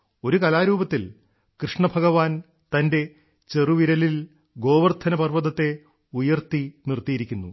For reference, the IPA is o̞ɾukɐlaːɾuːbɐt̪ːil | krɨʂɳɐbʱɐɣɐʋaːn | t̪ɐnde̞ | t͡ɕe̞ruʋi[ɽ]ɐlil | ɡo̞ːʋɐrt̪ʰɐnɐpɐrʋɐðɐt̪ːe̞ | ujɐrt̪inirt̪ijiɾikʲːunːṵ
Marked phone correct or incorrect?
incorrect